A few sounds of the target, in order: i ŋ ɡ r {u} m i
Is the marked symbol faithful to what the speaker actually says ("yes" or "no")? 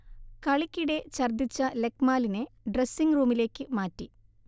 no